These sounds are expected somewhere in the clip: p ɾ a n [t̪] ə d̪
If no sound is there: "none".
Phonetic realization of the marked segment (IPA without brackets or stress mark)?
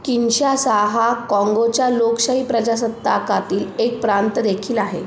t̪